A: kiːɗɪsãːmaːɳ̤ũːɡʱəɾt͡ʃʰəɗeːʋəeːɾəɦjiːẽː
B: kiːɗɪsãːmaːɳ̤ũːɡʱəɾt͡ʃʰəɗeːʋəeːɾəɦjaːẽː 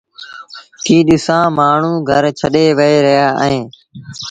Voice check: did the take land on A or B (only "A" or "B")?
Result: B